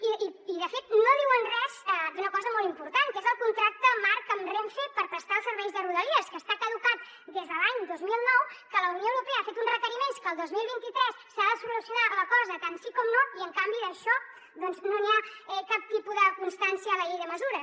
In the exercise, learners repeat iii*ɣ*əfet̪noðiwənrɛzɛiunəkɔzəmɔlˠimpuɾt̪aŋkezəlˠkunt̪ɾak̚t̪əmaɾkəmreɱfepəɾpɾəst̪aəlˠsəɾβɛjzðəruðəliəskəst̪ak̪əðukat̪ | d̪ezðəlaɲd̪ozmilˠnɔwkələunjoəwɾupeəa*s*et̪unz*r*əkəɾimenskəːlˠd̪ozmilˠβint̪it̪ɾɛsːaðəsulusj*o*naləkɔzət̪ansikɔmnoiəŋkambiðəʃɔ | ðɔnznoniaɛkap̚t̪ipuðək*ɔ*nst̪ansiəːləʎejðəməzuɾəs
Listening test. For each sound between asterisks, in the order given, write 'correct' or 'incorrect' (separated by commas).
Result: incorrect, incorrect, correct, incorrect, incorrect